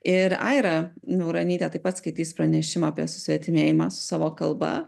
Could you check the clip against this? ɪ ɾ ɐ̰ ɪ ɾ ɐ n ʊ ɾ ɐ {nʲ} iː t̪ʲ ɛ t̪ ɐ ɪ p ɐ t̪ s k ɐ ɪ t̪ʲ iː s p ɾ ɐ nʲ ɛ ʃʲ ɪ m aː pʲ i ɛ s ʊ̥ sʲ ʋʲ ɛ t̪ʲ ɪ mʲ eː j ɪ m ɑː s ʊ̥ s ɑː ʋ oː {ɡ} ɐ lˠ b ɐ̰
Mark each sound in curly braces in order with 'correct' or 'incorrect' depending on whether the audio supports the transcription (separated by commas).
correct, incorrect